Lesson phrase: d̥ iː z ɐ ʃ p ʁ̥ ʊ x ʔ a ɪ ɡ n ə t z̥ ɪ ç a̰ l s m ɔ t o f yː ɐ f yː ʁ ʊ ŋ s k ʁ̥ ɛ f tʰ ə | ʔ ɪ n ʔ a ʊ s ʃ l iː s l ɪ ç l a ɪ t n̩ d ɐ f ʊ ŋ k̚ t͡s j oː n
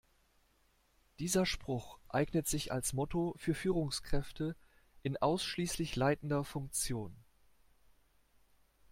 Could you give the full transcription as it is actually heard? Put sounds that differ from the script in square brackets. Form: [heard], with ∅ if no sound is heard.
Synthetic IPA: d̥ iː z ɐ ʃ p ʁ̥ ʊ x ʔ a ɪ ɡ n ə t z̥ ɪ ç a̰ l s m ɔ t o f yː ɐ f yː ʁ ʊ ŋ s k ʁ̥ ɛ f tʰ ə | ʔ ɪ n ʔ a ʊ s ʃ l iː s l ɪ ç l a ɪ t n̩ d ɐ f ʊ ŋ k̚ t͡s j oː n